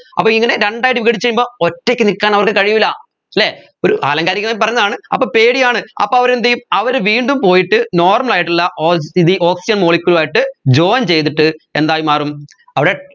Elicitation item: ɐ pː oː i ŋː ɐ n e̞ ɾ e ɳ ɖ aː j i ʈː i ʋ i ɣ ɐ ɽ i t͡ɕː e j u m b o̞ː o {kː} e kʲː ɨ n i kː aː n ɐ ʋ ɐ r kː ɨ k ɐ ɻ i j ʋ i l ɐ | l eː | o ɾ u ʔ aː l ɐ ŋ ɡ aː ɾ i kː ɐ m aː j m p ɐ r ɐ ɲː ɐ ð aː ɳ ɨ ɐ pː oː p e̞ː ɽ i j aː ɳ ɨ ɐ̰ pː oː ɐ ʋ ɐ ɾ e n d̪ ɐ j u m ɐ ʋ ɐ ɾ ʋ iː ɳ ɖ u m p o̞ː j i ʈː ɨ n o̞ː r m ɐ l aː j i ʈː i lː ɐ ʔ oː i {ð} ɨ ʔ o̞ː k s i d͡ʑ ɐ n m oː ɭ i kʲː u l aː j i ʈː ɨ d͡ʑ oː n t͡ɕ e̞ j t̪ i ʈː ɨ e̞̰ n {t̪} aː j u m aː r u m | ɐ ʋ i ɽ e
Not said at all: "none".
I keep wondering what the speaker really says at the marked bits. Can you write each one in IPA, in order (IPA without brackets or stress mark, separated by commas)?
tː, ð, d̪